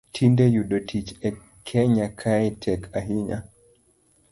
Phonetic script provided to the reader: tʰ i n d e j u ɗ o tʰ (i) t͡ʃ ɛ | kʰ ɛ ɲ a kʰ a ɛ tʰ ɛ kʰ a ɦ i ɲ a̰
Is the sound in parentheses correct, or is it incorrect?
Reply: correct